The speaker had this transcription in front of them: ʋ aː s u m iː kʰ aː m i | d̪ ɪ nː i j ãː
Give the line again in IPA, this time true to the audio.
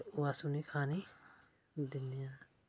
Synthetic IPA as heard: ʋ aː s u n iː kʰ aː n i | d̪ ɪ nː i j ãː